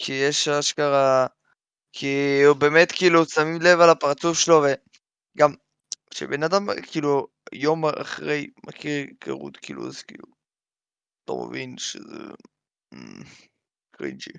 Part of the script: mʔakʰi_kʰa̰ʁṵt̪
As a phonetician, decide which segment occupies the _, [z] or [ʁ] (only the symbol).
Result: ʁ